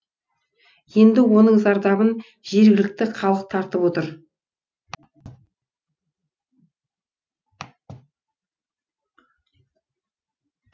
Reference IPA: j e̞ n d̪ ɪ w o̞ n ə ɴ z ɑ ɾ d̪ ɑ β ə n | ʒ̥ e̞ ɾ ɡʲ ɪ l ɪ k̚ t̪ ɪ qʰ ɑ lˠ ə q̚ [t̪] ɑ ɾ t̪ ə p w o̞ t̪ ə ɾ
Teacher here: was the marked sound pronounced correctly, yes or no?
no